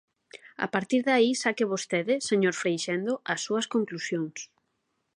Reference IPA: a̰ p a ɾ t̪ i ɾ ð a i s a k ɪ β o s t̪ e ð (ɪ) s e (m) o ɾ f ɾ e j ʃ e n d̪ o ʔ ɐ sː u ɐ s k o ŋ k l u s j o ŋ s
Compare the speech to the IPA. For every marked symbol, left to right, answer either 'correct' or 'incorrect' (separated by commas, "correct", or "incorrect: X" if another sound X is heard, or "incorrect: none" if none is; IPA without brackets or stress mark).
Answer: correct, incorrect: ɲ